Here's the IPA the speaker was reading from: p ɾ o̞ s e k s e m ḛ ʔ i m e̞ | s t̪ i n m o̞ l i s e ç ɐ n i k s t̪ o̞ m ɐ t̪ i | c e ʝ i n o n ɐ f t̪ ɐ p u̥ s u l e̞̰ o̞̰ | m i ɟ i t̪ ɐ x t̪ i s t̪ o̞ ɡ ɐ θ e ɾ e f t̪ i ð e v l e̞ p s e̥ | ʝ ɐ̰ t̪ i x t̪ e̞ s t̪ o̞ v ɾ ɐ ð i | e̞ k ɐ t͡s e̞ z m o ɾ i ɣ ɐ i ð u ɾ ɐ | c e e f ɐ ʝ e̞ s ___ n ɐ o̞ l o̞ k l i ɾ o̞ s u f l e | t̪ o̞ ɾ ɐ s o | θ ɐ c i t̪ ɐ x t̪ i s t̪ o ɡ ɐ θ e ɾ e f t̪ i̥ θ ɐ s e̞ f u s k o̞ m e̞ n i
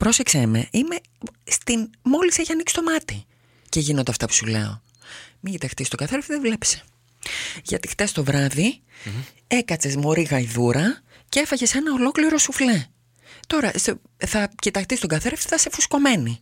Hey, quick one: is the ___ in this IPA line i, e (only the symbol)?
e